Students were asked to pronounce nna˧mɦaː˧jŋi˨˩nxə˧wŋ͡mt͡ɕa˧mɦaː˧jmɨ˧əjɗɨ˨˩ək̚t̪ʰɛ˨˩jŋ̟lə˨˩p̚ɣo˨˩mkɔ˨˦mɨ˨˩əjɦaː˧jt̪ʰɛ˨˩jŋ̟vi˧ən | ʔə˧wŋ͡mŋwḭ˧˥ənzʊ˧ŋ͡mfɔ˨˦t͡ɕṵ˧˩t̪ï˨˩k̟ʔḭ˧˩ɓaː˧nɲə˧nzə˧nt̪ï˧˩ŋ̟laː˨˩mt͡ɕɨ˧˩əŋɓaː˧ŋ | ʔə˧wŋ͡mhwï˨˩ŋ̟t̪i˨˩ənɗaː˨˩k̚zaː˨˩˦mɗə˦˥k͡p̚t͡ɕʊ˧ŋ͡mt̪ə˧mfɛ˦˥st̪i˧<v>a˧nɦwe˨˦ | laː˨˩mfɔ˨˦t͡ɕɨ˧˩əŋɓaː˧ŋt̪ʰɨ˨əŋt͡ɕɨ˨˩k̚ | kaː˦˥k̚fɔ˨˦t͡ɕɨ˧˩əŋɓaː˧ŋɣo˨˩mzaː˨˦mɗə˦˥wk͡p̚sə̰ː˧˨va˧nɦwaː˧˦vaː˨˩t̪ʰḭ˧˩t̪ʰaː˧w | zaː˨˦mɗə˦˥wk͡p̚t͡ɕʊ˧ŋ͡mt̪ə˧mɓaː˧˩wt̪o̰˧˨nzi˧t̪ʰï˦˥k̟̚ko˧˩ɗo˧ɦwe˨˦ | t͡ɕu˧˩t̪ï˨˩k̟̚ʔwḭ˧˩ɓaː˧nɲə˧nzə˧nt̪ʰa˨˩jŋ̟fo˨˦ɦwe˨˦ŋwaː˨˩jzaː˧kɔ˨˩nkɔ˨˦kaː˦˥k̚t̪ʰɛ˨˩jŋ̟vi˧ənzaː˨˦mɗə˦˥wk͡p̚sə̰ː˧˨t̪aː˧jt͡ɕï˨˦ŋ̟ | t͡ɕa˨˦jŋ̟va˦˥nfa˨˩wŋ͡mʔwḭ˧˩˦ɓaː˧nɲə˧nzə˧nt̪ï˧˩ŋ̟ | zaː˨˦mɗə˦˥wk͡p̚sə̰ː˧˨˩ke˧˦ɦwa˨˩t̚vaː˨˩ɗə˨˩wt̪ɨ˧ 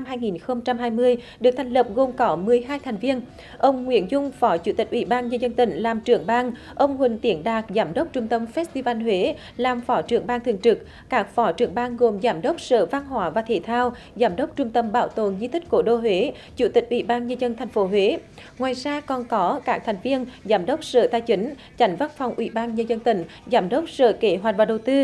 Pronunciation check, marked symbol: correct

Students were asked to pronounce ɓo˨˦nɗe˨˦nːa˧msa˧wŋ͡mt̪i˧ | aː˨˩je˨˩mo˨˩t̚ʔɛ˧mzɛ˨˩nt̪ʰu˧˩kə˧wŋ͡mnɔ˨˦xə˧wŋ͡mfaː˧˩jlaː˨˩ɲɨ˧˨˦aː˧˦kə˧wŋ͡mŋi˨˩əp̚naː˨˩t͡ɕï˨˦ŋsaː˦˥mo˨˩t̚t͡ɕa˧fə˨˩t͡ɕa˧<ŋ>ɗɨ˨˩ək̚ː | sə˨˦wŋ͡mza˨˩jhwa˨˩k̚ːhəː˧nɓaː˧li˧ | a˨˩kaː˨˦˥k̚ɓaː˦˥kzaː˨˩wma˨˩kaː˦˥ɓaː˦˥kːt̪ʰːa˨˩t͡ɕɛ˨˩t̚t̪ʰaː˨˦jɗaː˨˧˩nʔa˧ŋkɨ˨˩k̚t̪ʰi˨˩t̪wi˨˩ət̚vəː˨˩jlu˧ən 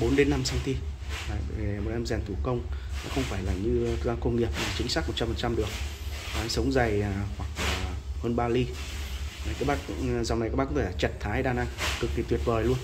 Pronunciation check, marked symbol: incorrect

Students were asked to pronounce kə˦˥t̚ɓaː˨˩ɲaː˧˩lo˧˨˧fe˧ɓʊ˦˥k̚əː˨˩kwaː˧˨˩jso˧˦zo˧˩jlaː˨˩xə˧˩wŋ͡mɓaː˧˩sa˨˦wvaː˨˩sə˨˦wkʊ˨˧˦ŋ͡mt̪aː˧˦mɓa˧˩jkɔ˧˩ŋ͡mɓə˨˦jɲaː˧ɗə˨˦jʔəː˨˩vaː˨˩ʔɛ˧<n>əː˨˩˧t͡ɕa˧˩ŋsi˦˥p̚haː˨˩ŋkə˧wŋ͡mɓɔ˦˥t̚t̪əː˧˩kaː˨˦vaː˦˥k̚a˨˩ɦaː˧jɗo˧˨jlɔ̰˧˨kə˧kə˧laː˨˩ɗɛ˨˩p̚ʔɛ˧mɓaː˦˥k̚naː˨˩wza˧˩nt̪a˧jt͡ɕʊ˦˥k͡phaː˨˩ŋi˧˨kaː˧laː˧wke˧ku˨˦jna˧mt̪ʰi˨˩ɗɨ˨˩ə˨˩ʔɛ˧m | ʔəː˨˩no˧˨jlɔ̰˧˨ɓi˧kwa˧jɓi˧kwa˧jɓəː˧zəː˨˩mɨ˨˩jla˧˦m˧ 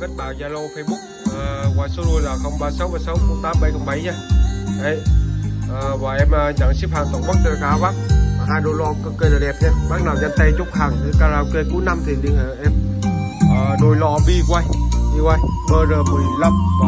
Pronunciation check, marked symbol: incorrect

